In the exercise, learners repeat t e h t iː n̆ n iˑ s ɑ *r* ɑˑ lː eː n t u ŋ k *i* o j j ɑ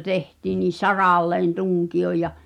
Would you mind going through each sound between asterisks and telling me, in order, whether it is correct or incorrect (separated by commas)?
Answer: correct, correct